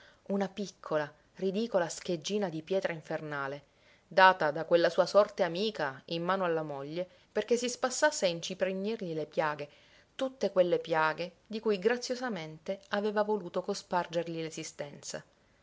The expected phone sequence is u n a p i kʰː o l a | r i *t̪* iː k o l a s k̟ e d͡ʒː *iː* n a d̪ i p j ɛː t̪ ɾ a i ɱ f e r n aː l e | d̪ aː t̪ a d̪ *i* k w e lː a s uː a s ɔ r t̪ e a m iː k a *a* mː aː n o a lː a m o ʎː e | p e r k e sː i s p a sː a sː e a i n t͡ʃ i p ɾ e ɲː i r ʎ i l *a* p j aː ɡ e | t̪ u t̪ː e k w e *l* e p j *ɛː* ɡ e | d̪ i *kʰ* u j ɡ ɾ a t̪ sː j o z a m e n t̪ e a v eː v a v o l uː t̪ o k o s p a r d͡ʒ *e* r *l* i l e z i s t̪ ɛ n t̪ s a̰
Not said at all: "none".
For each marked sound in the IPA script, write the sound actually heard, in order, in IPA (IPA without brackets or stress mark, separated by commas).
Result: d̪, iː, a, i, e, lː, aː, k, e, ʎ